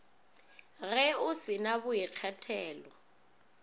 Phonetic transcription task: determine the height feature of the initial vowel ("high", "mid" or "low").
mid